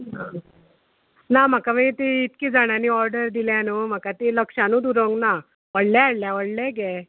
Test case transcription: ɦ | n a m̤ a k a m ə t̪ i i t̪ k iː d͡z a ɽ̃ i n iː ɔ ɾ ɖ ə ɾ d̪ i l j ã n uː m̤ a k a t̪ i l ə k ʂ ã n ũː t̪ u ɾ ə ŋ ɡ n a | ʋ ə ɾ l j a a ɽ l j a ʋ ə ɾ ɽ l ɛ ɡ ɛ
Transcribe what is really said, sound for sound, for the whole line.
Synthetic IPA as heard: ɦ | n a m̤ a k a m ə t̪ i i t̪ k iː d͡z a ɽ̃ a n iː ɔ ɾ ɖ ə ɾ d̪ i l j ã n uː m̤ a k a t̪ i l ə k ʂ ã n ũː d̪ u ɾ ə ŋ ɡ n a | ʋ ə ɽ l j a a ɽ l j a ʋ ə ɽ l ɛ ɡ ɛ